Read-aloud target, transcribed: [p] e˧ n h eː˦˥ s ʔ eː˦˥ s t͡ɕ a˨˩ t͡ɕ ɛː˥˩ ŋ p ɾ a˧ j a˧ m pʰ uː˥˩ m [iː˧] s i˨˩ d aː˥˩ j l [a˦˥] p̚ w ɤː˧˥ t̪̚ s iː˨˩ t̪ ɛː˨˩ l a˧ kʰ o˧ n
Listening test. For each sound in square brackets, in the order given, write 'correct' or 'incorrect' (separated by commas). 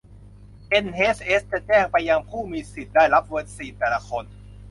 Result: incorrect, correct, correct